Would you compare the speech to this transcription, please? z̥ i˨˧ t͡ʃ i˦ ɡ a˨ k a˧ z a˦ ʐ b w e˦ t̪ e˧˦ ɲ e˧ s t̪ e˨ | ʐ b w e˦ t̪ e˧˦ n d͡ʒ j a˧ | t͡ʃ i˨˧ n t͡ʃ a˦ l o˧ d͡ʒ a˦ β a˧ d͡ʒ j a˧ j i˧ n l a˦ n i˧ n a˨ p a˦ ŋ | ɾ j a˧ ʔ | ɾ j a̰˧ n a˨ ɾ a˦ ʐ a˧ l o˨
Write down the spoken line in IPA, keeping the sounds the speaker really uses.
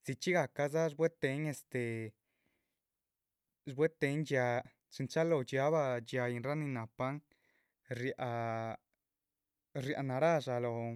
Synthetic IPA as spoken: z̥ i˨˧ t͡ʃ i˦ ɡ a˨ k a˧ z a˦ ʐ b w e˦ t̪ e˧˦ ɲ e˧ s t̪ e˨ | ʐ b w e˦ t̪ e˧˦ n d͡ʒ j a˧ | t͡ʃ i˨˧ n t͡ʃ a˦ l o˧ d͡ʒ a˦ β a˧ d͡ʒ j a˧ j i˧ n ɾ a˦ n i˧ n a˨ p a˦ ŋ | ɾ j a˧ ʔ | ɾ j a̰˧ n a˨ ɾ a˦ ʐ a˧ l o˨